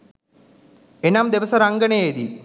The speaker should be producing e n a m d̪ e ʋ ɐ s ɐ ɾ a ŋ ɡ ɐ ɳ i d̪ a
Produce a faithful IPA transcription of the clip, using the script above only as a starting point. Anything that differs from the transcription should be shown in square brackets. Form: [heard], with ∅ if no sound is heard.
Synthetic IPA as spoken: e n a m d̪ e ʋ ɐ s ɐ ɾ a ŋ ɡ ɐ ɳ [e] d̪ [i]